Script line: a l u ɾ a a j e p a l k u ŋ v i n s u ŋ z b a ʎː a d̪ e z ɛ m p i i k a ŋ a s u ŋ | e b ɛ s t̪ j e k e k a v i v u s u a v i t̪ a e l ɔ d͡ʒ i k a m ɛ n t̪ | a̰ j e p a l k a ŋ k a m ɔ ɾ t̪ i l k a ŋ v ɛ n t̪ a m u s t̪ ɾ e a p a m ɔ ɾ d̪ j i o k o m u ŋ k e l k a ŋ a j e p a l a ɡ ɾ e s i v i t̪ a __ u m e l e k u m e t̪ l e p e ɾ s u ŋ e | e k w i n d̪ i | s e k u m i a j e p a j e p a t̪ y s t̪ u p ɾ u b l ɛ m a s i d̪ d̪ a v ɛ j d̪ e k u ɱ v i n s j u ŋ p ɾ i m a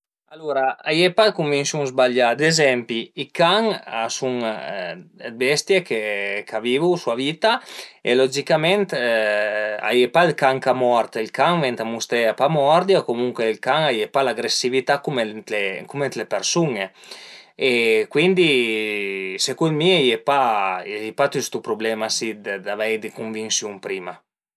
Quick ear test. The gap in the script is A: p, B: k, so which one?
B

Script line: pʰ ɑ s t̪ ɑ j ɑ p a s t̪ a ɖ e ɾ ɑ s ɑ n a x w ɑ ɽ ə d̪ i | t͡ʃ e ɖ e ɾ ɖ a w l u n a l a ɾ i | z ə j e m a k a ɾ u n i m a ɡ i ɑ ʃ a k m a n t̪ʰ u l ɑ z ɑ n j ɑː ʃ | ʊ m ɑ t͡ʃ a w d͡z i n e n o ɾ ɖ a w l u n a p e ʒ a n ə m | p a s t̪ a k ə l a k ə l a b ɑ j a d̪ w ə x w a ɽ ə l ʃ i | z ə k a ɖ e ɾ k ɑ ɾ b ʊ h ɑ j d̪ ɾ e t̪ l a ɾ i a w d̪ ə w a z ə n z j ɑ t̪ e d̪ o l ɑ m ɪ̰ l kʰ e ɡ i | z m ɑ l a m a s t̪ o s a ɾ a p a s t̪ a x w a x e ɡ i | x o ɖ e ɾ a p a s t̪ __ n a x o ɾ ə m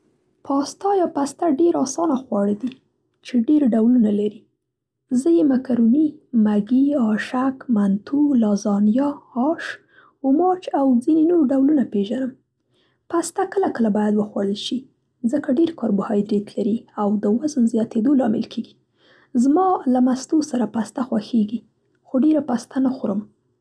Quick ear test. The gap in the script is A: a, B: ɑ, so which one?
A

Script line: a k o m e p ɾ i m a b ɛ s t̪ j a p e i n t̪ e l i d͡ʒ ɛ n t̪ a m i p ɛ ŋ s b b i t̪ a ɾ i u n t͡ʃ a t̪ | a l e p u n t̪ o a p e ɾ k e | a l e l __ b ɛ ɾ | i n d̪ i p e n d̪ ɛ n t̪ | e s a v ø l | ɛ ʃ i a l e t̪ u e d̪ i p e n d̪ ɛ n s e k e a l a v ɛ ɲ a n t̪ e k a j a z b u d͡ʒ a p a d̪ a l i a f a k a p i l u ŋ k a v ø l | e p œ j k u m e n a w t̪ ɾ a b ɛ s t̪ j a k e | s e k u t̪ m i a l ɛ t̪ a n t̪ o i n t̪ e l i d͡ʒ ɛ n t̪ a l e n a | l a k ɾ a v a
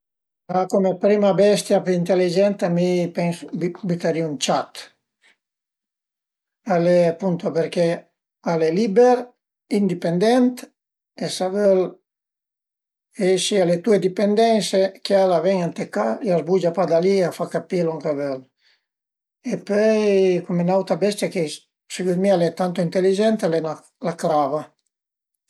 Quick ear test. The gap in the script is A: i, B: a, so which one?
A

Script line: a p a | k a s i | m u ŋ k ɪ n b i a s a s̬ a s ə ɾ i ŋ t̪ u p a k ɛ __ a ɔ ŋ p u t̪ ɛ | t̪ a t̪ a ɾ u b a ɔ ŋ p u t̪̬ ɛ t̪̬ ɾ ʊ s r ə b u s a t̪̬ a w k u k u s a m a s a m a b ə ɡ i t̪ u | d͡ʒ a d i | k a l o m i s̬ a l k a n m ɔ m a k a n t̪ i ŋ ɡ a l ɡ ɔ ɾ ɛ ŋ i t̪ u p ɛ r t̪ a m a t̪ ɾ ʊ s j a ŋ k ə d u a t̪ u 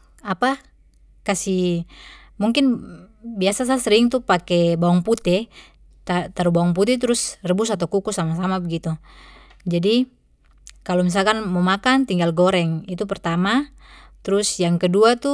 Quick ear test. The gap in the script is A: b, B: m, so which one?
A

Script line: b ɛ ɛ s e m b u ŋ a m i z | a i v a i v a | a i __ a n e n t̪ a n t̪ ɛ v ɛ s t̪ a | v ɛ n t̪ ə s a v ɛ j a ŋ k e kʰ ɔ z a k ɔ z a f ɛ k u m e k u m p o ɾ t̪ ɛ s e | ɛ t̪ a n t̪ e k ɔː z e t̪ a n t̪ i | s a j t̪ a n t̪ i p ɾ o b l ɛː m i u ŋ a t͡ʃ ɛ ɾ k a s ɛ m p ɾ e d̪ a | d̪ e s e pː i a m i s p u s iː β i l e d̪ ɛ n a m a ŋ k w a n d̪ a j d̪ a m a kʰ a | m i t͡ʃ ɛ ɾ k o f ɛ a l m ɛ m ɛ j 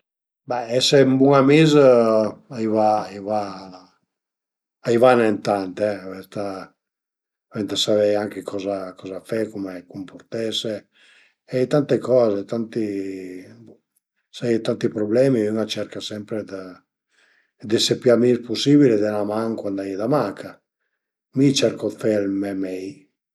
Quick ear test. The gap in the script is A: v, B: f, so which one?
A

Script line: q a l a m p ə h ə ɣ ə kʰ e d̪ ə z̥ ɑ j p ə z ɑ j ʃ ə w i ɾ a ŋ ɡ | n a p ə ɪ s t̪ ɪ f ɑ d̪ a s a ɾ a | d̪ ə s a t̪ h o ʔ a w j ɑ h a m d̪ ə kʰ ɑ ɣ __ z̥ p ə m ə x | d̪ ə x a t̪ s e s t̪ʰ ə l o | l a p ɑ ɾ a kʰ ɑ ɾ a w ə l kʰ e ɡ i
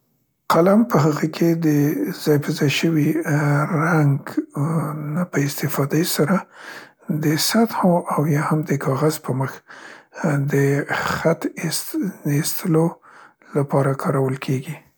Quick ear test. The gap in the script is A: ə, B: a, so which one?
B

